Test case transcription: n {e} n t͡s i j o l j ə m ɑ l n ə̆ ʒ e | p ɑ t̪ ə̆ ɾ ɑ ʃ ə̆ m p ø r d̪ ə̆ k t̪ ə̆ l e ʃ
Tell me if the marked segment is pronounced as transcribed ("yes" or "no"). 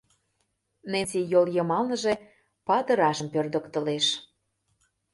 yes